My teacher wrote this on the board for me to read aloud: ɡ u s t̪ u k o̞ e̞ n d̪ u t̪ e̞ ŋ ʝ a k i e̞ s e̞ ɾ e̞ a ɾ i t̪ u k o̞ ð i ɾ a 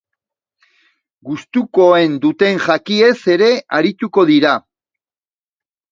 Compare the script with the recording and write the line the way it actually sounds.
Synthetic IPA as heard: ɡ u s t̪ u k o̞ e̞ n d̪ u t̪ e̞ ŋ ʝ a k i e̞ s e̞ ɾ e̞ a ɾ i t̪ u k o̞ ð i ɾ a